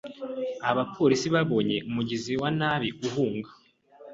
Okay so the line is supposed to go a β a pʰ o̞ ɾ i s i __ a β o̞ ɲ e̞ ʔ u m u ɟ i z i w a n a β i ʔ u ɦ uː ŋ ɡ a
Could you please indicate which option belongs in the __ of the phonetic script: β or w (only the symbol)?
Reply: β